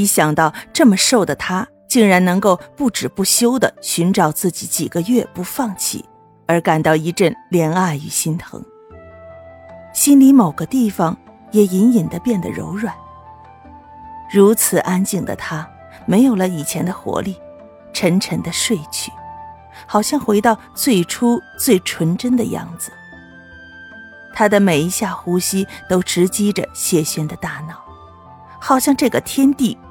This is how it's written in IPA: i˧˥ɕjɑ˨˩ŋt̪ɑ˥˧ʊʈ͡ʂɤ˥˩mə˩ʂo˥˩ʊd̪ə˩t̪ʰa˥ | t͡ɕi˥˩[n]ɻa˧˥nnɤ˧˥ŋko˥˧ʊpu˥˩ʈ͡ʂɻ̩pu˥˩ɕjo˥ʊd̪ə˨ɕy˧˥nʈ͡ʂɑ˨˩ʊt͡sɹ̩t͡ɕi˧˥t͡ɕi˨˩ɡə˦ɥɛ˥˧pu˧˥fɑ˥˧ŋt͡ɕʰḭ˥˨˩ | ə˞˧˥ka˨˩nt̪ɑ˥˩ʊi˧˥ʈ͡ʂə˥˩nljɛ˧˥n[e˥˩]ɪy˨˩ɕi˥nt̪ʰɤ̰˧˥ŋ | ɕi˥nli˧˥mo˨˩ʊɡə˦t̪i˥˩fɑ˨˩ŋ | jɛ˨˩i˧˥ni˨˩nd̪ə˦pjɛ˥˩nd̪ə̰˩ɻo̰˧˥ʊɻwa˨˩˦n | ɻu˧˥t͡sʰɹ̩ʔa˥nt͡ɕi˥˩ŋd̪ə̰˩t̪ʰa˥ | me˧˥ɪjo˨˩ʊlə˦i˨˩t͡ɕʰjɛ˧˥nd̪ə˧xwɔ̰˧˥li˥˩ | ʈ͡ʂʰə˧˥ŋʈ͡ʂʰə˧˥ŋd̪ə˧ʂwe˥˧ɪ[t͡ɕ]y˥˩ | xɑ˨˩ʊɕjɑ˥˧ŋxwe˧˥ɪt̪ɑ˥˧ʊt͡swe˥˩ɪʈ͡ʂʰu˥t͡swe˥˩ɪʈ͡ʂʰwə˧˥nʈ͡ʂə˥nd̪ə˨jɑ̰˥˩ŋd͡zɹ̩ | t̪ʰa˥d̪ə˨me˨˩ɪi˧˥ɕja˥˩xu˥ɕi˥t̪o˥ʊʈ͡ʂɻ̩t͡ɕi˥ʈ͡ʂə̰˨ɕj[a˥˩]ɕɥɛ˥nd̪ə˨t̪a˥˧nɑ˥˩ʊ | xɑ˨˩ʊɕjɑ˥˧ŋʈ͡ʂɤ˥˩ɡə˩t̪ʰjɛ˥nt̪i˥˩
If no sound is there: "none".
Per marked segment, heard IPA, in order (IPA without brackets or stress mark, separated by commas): ŋ, a˥˩, t͡ɕʰ, ɛ˥˩